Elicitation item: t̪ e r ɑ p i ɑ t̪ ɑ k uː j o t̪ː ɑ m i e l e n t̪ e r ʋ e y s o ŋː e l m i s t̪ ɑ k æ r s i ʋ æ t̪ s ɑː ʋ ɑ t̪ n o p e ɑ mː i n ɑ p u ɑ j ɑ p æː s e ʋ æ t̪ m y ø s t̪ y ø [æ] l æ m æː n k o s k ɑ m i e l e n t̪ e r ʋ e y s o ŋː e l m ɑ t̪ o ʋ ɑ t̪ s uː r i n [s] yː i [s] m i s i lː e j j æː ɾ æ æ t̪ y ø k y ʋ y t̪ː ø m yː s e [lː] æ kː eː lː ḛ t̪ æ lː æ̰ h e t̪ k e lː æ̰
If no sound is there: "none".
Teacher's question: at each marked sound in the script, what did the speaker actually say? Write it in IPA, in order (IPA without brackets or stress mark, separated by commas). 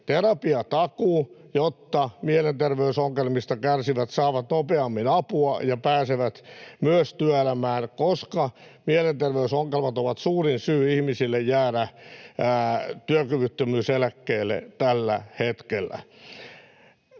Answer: e, s, h, l